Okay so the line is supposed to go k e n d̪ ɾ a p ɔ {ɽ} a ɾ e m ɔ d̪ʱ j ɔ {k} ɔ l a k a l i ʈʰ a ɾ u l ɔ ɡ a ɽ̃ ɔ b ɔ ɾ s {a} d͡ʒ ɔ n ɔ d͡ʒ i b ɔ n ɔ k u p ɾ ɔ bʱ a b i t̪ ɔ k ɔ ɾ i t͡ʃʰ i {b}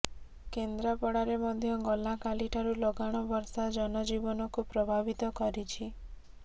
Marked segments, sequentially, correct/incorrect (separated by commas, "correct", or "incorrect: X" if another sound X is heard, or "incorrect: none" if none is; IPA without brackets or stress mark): correct, incorrect: ɡ, correct, incorrect: none